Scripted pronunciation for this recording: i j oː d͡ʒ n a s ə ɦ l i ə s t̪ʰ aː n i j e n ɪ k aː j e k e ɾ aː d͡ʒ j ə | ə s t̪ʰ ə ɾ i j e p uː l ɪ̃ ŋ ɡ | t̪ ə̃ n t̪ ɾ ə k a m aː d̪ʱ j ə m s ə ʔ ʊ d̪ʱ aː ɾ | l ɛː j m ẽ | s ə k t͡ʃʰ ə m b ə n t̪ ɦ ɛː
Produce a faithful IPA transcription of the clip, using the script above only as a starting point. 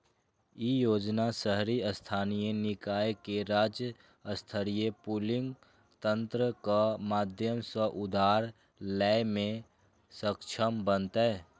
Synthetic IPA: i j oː d͡ʒ n a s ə ɦ ɾ i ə s t̪ʰ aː n i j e n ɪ k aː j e k e ɾ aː d͡ʒ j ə | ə s t̪ʰ ə ɾ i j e p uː l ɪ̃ ŋ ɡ | t̪ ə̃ n t̪ ɾ ə k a m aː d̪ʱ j ə m s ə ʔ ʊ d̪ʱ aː ɾ | l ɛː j m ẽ | s ə k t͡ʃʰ ə m b ə n t̪ ɦ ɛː